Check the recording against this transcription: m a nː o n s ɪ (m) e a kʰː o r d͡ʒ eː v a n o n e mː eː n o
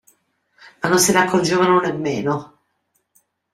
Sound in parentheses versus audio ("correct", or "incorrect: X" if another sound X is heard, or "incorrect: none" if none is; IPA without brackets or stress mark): incorrect: n